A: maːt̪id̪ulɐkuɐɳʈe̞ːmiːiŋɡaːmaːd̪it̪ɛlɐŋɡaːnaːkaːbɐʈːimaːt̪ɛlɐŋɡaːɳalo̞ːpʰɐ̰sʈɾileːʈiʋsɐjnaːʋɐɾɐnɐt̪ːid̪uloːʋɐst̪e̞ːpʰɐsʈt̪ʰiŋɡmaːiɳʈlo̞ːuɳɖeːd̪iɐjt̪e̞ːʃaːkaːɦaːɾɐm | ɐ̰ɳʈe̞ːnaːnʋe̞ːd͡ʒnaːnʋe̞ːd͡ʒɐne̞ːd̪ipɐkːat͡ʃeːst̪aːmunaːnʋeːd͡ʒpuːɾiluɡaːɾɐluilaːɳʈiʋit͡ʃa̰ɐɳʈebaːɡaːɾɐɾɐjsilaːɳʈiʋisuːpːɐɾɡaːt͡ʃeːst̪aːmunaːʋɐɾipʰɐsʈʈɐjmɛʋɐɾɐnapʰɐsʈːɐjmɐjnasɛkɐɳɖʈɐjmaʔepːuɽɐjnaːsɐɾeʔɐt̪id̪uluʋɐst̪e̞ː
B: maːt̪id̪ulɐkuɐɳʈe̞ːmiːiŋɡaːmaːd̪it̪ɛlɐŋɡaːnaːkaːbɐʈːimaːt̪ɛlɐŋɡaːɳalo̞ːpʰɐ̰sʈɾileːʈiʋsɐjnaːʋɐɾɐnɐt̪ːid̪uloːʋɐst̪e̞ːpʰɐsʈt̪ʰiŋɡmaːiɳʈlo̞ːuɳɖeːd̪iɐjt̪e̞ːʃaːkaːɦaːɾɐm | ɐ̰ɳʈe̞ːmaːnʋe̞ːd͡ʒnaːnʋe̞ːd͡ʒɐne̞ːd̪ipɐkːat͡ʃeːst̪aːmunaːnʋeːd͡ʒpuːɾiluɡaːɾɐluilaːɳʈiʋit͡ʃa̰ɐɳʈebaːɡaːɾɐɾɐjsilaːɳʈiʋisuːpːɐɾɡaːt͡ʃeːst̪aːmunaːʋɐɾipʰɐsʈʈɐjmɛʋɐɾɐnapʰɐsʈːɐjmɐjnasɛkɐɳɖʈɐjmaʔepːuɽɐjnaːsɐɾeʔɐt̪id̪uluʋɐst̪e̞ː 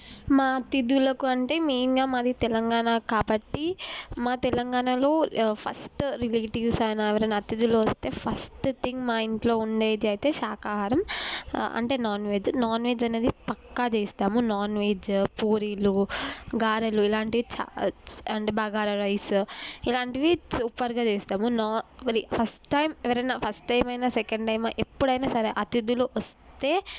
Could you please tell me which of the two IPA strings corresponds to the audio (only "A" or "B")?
A